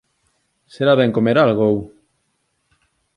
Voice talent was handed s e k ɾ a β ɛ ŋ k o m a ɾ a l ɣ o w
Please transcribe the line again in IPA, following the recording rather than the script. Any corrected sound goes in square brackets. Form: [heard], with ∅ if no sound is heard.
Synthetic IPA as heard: s e [∅] ɾ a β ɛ ŋ k o m [e] ɾ a l ɣ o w